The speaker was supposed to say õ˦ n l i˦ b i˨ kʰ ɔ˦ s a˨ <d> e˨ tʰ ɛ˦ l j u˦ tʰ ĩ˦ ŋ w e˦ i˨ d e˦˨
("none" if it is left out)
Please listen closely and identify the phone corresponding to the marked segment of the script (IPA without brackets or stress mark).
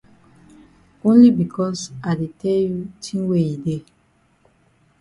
d